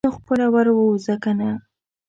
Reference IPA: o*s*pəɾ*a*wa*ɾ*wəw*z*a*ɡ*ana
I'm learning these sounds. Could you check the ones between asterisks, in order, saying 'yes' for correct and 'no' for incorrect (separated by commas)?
no, yes, yes, yes, no